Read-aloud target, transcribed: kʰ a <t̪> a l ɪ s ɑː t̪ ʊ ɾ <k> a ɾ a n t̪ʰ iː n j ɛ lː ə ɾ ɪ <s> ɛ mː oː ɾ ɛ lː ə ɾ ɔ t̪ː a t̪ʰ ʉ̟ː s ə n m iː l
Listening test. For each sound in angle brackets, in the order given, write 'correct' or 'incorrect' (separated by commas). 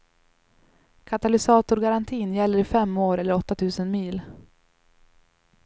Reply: correct, incorrect, incorrect